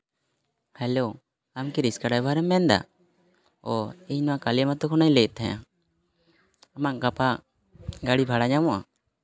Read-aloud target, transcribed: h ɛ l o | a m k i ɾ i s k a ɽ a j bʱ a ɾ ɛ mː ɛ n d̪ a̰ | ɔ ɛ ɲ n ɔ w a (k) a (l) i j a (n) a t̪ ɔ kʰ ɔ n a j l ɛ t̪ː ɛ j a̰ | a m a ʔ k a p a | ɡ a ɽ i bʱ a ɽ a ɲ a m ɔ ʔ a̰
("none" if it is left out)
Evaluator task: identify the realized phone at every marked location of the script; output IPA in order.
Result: k, l, m

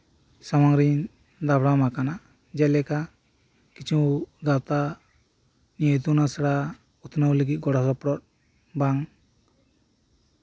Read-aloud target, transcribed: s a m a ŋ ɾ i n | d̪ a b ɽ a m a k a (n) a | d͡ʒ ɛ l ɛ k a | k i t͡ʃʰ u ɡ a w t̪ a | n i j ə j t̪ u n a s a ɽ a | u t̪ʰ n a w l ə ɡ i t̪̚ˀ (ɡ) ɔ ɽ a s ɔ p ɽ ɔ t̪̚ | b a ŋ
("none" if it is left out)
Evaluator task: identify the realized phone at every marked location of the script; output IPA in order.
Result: n, ɡ

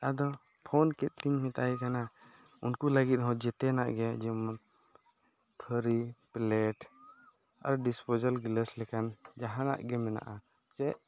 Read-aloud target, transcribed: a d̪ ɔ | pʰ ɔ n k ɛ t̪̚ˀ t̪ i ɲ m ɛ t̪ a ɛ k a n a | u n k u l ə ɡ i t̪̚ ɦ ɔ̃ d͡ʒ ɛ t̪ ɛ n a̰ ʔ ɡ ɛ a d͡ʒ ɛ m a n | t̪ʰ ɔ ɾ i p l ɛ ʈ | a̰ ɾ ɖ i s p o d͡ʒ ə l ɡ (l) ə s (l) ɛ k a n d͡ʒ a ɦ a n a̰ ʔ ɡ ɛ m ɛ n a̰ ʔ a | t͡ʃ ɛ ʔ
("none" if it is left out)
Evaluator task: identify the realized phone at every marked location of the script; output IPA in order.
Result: l, l

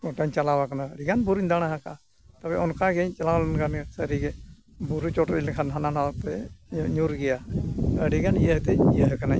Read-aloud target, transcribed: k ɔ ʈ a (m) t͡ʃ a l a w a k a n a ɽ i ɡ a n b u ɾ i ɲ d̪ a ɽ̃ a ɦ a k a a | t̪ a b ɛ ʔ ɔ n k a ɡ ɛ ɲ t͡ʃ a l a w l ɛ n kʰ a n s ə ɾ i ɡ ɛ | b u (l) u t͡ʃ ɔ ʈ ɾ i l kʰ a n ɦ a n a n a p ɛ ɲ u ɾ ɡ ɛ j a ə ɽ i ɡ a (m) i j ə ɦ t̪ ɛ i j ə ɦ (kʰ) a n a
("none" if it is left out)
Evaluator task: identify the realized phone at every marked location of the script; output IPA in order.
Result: ɲ, ɾ, n, k

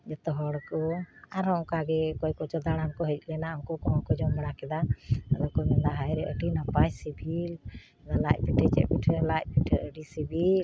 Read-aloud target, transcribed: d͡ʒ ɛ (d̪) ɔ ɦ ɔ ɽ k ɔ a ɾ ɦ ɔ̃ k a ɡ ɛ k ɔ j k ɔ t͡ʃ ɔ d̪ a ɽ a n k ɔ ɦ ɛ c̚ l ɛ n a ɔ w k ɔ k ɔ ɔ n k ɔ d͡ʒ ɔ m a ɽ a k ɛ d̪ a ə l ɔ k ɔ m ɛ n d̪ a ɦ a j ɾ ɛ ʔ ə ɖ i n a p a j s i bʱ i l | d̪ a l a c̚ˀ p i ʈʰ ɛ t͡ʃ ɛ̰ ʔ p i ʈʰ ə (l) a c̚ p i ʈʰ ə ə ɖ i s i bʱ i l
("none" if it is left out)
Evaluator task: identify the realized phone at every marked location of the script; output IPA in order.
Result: t̪, l

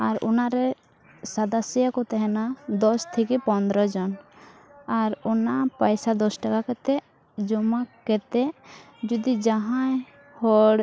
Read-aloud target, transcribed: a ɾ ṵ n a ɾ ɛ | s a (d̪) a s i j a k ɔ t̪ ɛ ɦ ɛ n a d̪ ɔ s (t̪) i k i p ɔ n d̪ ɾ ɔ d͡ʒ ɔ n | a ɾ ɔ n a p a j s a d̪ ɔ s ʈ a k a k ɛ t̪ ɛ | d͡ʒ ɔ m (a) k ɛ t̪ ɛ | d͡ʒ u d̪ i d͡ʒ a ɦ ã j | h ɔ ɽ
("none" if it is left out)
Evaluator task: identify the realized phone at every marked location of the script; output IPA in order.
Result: d̪, t̪ʰ, a

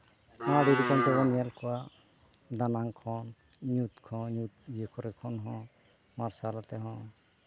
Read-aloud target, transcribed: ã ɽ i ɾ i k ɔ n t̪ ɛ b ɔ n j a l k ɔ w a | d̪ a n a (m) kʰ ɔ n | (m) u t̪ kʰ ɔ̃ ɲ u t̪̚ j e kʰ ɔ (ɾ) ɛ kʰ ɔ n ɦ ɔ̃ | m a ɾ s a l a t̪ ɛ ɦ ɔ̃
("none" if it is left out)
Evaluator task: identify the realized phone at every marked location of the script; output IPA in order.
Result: ŋ, ɲ, ɾ

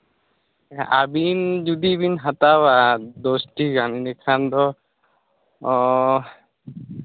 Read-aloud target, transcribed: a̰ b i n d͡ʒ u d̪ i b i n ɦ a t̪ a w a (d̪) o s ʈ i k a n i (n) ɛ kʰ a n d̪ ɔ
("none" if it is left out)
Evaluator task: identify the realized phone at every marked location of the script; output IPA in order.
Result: d̪, n

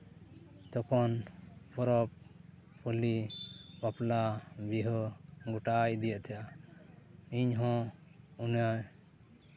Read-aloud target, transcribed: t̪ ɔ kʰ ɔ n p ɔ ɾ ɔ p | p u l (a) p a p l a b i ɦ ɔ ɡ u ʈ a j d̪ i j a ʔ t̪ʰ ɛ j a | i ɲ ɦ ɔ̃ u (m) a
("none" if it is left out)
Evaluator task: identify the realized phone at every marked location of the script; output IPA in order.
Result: i, n

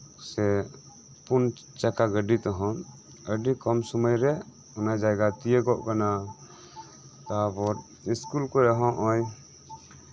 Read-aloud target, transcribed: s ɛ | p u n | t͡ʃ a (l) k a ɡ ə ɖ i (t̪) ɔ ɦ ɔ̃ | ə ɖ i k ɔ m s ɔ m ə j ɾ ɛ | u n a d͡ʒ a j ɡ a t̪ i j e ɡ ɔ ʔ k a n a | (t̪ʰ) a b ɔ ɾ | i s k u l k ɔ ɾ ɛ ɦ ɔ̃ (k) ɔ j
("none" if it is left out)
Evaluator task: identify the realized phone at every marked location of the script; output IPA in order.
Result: none, t̪, t̪, ʔ

